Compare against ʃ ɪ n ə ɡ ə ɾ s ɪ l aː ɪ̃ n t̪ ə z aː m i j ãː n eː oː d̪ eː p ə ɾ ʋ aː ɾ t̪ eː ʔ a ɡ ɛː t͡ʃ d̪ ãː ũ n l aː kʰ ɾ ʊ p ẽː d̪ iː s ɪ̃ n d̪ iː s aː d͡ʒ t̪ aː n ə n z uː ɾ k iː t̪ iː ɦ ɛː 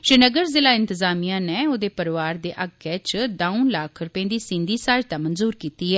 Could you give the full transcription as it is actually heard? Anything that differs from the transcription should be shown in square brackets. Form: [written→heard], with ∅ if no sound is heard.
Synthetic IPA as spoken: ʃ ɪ n ə ɡ ə ɾ [s→z] ɪ l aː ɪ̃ n t̪ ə z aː m i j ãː n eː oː d̪ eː p ə ɾ ʋ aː ɾ [t̪→d̪] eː ʔ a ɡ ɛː t͡ʃ d̪ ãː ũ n l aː kʰ ɾ ʊ p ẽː d̪ iː s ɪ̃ n d̪ iː s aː d͡ʒ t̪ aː [n→m] ə n z uː ɾ k iː t̪ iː ɦ ɛː